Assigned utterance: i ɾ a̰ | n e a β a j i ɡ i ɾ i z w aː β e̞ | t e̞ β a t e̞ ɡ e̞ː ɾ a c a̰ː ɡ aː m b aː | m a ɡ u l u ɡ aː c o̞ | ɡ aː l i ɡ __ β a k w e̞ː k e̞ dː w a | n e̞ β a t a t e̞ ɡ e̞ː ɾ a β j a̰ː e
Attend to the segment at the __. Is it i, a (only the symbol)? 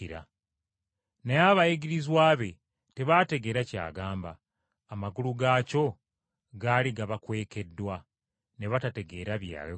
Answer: a